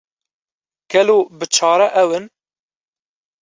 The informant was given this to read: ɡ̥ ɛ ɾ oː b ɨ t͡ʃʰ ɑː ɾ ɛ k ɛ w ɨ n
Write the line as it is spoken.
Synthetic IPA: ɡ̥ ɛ l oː b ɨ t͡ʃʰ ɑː ɾ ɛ ʔ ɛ w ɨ n